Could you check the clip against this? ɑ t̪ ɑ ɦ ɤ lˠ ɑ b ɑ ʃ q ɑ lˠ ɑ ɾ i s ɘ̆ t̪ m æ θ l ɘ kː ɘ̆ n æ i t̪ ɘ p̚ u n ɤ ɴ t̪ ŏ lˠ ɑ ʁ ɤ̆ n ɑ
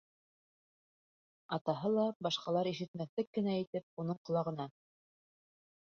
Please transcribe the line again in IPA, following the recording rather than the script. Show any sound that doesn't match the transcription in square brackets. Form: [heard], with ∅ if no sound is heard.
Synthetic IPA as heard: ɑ t̪ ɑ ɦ ɤ lˠ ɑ b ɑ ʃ q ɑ lˠ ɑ ɾ i [ʃ] ɘ̆ t̪ m æ θ l ɘ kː ɘ̆ n æ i t̪ ɘ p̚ u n ɤ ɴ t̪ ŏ lˠ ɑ ʁ ɤ̆ n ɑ